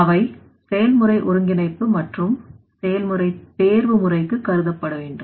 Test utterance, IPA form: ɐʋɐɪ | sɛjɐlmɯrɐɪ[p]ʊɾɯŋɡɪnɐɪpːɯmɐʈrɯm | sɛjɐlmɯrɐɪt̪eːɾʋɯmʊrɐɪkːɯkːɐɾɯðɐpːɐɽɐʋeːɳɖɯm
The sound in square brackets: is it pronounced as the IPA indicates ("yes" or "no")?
no